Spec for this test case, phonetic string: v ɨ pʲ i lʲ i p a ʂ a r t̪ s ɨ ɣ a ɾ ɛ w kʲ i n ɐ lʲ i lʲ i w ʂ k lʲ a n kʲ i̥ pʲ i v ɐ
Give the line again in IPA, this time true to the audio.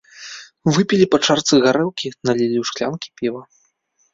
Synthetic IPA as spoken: v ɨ pʲ i lʲ i p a t͡ʂ a r t̪ s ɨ ɣ a ɾ ɛ w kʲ i n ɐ lʲ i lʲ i w ʂ k lʲ a n kʲ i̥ pʲ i v ɐ